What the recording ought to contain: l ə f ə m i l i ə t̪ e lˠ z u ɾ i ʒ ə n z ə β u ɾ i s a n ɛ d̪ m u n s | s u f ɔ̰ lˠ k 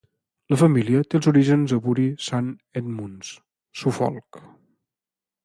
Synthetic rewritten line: l ə f ə m i l i ə t̪ e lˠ z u ɾ i ʒ ə n z ə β u ɾ i s a n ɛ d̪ m u n s | s u f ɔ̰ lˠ k